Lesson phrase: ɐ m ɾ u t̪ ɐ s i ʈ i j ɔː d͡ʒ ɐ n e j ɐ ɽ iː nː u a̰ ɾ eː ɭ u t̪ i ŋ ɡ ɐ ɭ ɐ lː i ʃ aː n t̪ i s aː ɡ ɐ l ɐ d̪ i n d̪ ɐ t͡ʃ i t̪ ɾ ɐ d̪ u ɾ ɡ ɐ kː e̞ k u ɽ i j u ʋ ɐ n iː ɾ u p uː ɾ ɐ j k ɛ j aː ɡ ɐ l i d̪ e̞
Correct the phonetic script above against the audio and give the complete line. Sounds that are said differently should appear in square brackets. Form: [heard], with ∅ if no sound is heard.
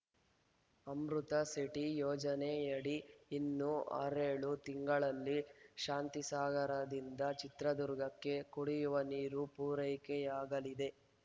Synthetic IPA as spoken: ɐ m ɾ u t̪ ɐ s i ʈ i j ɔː d͡ʒ ɐ n e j ɐ ɽ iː nː u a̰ ɾ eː ɭ u t̪ i ŋ ɡ ɐ ɭ ɐ lː i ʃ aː n t̪ i s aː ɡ ɐ [ɾ] ɐ d̪ i n d̪ ɐ t͡ʃ i t̪ ɾ ɐ d̪ u ɾ ɡ ɐ kː e̞ k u ɽ i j u ʋ ɐ n iː ɾ u p uː ɾ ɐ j k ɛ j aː ɡ ɐ l i d̪ e̞